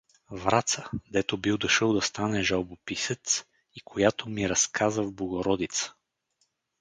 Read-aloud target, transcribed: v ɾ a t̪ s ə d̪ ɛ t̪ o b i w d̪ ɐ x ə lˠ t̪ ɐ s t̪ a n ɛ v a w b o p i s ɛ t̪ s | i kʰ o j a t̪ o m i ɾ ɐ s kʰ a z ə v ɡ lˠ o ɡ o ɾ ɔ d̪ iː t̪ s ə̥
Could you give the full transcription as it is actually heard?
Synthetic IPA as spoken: v ɾ a t̪ s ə d̪ ɛ t̪ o b i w d̪ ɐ ʃ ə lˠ d̪ ɐ s t̪ a n ɛ ʒ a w b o p i s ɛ t̪ s | i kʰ o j a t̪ o m i ɾ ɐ s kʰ a z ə v b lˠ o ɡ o ɾ ɔ d̪ i t̪ s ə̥